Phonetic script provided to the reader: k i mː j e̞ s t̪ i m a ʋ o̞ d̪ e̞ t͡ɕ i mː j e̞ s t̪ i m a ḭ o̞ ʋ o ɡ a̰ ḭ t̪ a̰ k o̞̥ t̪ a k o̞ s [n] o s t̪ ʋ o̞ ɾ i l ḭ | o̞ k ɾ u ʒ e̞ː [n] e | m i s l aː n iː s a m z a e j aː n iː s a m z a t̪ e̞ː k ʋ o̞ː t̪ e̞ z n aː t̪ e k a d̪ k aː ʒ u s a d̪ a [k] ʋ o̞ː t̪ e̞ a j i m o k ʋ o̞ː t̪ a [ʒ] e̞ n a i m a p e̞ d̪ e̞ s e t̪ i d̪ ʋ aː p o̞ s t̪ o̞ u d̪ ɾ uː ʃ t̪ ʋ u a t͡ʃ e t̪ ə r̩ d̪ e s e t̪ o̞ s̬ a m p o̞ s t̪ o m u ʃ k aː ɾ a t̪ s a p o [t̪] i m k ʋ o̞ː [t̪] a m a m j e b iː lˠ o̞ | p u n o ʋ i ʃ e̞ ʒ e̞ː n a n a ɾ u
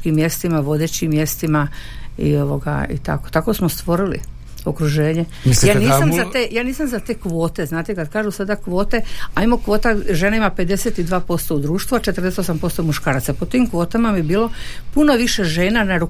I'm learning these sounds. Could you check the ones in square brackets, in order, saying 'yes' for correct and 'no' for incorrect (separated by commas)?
no, no, yes, yes, yes, yes